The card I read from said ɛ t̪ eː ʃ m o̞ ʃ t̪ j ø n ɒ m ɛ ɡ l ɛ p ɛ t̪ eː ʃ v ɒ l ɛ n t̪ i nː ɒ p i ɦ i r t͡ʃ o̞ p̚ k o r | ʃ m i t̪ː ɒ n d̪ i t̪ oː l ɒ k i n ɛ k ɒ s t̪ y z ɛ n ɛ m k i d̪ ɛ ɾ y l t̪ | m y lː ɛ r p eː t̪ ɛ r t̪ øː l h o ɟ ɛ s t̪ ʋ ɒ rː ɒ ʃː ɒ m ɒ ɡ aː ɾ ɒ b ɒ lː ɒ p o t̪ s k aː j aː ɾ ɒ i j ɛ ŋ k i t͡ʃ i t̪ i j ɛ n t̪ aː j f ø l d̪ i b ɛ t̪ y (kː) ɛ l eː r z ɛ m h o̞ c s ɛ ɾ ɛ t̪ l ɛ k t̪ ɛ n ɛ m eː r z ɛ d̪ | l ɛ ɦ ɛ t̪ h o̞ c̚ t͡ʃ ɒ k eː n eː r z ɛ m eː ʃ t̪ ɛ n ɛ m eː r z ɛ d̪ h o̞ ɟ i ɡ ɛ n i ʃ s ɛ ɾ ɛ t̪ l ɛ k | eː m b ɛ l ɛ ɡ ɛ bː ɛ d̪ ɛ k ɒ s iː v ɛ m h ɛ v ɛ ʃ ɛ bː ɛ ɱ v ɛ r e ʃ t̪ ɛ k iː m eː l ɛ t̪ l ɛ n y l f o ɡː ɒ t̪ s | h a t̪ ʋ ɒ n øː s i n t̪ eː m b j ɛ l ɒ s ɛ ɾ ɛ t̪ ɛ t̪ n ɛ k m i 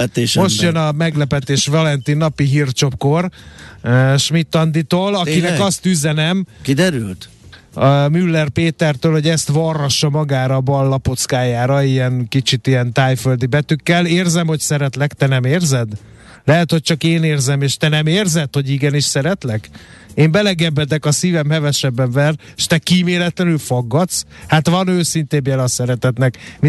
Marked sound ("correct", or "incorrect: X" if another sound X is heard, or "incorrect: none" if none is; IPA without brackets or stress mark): correct